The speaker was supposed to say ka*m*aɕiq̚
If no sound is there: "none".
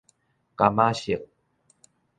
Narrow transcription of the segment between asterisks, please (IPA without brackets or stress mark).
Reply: m